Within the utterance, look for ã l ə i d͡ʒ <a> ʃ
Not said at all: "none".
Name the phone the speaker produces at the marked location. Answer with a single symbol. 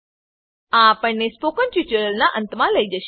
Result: ə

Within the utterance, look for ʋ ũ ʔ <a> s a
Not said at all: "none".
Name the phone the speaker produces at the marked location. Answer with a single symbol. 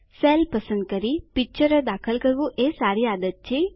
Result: e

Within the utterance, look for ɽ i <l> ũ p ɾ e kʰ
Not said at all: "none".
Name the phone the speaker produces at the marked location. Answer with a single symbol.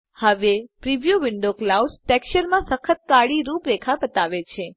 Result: ɾ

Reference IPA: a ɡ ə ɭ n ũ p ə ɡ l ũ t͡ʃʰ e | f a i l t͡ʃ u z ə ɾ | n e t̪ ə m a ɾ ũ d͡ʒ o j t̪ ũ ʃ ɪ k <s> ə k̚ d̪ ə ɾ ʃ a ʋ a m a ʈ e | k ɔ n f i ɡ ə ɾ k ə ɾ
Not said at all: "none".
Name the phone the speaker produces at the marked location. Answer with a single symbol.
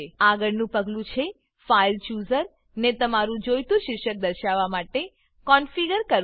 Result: ʃ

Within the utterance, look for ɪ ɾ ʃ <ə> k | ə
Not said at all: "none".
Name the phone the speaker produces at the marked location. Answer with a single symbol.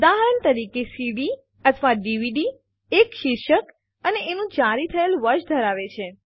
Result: ə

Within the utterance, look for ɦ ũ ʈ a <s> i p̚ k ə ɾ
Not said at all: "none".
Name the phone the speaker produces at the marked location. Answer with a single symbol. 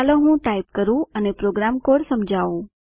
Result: none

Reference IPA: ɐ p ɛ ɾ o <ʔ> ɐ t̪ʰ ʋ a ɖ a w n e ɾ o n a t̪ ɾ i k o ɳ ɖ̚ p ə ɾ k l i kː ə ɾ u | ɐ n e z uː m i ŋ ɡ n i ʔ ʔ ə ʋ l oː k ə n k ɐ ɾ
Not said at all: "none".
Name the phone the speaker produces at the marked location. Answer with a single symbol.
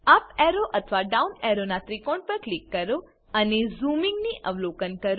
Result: ʔ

